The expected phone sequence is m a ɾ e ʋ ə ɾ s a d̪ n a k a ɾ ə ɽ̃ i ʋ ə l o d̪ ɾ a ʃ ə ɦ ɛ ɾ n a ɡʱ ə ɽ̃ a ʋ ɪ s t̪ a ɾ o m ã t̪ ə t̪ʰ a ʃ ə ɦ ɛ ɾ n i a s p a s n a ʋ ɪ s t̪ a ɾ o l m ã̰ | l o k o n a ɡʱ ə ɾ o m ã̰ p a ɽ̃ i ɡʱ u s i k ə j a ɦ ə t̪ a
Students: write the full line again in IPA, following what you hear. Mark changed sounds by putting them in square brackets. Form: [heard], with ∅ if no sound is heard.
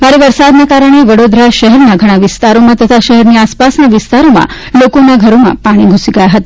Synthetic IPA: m a ɾ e ʋ ə ɾ s a d̪ n a k a ɾ ə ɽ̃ [e] ʋ ə [ɽ] o d̪ ɾ a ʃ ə ɦ ɛ ɾ n a ɡʱ ə ɽ̃ a ʋ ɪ s t̪ a ɾ o m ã t̪ ə t̪ʰ a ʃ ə ɦ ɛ ɾ n i a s p a s n a ʋ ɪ s t̪ a ɾ o [∅] m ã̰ | l o k o n a ɡʱ ə ɾ o m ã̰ p a ɽ̃ i ɡʱ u s i [ɡ] ə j a ɦ ə t̪ a